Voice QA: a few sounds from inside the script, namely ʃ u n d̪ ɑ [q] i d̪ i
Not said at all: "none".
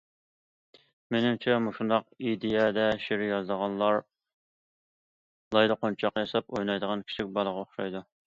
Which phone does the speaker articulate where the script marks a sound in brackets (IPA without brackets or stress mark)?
q